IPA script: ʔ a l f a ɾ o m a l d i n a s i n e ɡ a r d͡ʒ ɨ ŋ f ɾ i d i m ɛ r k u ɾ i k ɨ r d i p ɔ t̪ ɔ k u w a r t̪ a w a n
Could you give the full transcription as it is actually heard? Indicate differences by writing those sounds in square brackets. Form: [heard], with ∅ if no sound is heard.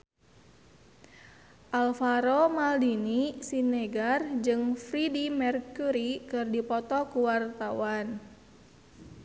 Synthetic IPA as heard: ʔ a l f a ɾ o m a l d i n [i] s i n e ɡ a r d͡ʒ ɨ ŋ f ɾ i d i m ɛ r k u ɾ i k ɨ r d i p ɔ t̪ ɔ k u w a r t̪ a w a n